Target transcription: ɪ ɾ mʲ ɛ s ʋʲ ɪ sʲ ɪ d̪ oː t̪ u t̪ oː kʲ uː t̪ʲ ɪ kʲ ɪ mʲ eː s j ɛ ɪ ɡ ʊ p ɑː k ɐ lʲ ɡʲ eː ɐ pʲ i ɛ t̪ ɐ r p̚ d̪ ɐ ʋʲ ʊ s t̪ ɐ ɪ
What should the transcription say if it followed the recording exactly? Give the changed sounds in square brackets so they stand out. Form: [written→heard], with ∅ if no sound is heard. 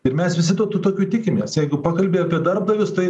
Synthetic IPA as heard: ɪ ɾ mʲ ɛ s ʋʲ ɪ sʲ ɪ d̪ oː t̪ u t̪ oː kʲ uː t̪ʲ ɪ kʲ ɪ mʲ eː s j ɛ ɪ ɡ ʊ p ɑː k ɐ lʲ [ɡʲ→bʲ] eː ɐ pʲ i ɛ [t̪→d̪] ɐ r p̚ d̪ ɐ ʋʲ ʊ s t̪ ɐ ɪ